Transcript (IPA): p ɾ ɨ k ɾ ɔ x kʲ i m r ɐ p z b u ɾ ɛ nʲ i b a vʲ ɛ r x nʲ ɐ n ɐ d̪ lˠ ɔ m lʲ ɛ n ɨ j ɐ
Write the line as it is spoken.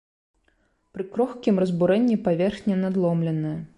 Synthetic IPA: p ɾ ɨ k ɾ ɔ x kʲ i m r ɐ z b u ɾ ɛ nʲː i p a vʲ ɛ r x nʲ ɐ n a d̪ lˠ ɔ m lʲ ɛ n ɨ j ɐ